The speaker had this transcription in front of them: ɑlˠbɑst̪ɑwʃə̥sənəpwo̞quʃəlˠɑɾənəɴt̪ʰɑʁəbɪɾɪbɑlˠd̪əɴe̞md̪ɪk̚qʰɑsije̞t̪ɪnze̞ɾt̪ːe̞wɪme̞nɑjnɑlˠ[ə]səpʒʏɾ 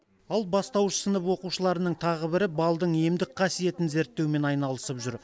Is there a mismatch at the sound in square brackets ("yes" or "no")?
no